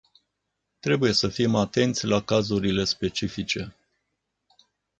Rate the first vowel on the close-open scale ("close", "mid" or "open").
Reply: mid